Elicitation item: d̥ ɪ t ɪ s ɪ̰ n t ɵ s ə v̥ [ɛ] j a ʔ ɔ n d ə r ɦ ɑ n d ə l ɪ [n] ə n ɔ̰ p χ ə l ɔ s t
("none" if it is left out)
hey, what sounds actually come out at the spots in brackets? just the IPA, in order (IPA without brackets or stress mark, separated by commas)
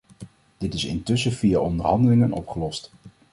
i, ŋ